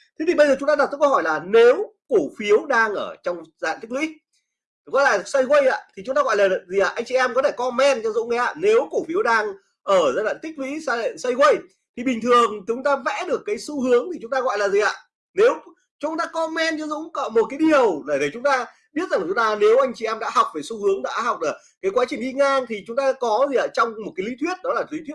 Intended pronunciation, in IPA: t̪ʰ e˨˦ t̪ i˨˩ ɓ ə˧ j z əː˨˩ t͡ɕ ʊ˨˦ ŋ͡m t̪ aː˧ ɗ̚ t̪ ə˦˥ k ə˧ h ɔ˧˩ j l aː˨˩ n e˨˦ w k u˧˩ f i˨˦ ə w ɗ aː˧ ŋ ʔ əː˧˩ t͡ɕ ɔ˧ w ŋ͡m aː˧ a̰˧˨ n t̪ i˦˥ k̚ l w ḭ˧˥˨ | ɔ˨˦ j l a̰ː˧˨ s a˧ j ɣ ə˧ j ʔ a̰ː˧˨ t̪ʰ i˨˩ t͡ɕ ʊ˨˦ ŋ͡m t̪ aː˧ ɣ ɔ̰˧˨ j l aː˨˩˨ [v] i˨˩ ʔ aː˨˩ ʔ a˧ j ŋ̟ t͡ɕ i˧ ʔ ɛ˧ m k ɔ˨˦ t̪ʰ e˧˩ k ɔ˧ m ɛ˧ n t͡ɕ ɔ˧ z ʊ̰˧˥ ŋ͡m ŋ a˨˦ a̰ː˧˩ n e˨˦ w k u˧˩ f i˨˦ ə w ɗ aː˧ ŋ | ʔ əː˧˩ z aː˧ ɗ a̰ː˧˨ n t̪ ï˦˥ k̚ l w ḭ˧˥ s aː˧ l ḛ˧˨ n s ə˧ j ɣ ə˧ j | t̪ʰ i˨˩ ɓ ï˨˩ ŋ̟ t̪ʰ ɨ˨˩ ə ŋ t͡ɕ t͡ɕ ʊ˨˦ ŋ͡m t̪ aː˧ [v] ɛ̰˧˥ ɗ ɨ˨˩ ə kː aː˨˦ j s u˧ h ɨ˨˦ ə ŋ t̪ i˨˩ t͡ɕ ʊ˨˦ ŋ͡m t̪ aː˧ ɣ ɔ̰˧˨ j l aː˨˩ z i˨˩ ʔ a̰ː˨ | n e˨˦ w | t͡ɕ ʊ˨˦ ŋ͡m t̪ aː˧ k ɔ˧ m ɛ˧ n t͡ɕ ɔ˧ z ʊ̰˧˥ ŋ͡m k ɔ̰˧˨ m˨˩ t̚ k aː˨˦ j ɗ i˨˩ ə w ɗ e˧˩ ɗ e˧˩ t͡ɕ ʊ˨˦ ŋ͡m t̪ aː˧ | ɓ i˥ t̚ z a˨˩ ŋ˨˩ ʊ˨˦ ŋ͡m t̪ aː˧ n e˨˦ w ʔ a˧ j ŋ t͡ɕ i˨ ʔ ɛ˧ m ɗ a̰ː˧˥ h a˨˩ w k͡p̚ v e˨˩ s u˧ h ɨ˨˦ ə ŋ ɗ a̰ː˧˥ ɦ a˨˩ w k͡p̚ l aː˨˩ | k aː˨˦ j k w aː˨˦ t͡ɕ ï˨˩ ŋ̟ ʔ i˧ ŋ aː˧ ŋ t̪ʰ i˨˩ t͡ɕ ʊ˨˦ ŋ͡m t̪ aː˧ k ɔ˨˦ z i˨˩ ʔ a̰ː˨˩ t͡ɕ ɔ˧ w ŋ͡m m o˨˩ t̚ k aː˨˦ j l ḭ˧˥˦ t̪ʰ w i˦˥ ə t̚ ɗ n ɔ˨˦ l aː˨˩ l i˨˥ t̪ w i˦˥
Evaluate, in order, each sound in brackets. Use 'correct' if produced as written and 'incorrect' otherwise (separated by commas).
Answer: incorrect, correct